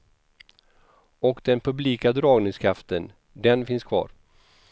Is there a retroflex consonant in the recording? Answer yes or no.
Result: no